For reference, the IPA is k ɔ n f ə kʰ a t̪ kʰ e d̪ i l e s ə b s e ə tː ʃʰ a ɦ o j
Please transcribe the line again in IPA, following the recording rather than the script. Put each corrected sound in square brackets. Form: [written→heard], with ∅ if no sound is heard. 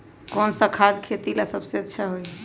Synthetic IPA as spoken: k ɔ n [f→s] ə kʰ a [t̪→d̪] kʰ e [d̪→t̪] i l [e→a] s ə b s e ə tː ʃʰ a ɦ o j